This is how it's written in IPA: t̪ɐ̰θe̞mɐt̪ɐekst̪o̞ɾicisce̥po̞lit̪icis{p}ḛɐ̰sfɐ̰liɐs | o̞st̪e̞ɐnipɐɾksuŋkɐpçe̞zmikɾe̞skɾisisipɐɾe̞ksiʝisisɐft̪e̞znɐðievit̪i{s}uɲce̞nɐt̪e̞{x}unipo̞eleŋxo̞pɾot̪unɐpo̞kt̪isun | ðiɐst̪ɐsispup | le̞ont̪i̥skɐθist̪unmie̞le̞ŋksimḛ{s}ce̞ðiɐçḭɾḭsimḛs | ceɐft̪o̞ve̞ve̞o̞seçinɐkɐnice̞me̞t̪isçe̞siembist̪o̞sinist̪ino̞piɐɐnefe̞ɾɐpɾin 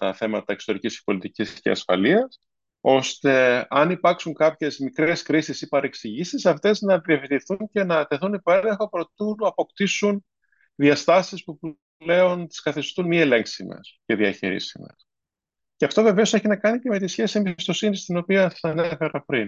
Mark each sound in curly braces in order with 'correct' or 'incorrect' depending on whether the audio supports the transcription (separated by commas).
incorrect, incorrect, incorrect, correct